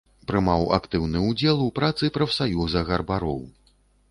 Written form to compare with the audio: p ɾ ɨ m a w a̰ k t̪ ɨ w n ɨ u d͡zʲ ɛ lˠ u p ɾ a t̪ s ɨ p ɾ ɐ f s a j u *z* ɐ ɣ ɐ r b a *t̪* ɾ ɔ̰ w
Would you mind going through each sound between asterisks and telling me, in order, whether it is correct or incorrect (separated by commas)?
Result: correct, incorrect